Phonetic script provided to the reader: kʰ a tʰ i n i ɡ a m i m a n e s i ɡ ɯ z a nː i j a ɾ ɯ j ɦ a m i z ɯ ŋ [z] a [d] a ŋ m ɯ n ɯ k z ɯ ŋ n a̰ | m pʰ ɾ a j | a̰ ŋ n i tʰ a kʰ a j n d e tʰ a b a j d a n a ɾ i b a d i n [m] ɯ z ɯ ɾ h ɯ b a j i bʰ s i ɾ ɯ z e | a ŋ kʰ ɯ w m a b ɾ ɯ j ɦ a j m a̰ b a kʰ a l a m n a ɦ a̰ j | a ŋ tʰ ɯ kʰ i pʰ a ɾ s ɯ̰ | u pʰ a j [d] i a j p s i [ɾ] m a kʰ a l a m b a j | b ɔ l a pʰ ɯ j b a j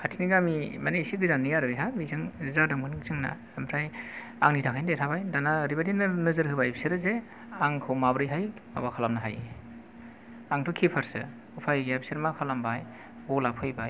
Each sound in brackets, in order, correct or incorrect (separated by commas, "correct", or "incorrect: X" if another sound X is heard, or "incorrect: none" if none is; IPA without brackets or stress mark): correct, correct, incorrect: n, incorrect: ɡ, correct